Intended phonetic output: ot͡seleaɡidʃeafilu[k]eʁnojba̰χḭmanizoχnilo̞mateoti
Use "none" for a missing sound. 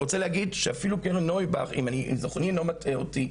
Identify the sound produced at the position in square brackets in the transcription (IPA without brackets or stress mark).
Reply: k